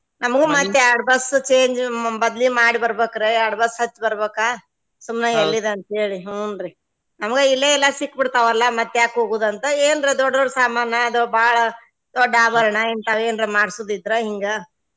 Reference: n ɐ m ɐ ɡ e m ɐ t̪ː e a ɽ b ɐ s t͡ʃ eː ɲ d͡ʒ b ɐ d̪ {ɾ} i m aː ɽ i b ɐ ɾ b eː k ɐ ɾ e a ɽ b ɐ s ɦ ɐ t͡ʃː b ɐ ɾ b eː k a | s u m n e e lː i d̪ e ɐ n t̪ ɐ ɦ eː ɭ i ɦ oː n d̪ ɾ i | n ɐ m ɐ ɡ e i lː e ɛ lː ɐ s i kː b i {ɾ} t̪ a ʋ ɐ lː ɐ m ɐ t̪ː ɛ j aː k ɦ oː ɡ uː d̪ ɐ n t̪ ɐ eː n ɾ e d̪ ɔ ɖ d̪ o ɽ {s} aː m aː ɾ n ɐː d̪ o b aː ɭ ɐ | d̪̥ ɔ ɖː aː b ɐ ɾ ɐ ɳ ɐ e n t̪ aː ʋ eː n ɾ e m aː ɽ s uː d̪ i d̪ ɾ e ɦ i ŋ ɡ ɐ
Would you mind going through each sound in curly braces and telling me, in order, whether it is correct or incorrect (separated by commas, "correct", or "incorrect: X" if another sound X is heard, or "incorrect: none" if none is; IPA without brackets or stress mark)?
incorrect: l, incorrect: ɽ, correct